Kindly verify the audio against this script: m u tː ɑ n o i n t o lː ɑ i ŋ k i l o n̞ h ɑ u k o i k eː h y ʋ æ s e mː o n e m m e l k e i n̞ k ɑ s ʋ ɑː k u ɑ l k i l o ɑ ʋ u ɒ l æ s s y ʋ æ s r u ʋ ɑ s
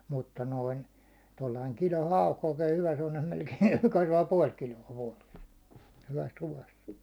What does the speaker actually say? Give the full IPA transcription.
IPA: m u tː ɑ n o i n t o lː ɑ i ŋ k i l o n̞ h ɑ u k o i k eː h y ʋ æ s e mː o n e m m e l k e i n̞ k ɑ s ʋ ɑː p u ɒ l k i l o ɑ ʋ u ɒ l e s h y ʋ æ s r u ʋ ɑ s